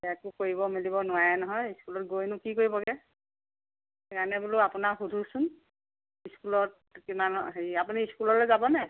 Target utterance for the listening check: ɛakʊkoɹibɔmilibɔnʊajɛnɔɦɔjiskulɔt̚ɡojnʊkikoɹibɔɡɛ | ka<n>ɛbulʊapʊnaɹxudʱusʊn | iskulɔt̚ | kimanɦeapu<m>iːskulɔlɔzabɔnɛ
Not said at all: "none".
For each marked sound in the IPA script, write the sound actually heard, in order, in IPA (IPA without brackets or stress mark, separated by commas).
n, n